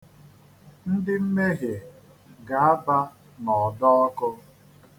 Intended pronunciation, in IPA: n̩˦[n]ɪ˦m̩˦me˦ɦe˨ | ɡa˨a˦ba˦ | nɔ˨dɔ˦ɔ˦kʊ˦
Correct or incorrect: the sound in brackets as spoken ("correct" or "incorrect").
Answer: incorrect